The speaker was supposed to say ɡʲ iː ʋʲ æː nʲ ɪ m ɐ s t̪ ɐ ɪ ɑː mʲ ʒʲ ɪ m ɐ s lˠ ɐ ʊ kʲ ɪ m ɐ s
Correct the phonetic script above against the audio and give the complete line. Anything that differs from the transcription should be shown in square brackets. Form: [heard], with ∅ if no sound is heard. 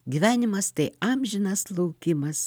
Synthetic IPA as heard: ɡʲ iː ʋʲ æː nʲ ɪ m ɐ s t̪ ɐ ɪ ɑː mʲ ʒʲ ɪ [n] ɐ s lˠ ɐ ʊ kʲ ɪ m ɐ s

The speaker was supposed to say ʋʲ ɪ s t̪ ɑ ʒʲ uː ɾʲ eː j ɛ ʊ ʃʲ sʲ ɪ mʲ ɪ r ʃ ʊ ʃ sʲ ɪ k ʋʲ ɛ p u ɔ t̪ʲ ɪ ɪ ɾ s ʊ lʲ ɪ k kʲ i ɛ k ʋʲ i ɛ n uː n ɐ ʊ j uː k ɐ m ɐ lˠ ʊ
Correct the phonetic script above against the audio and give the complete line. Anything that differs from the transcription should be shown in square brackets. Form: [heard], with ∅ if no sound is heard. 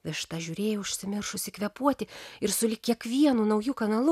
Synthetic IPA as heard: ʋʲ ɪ [ʃ] t̪ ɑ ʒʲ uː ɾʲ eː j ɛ ʊ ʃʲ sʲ ɪ mʲ ɪ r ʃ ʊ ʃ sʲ ɪ k ʋʲ ɛ p u ɔ t̪ʲ ɪ ɪ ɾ s ʊ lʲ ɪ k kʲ i ɛ k ʋʲ i ɛ n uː n ɐ ʊ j uː k ɐ [n] ɐ lˠ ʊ

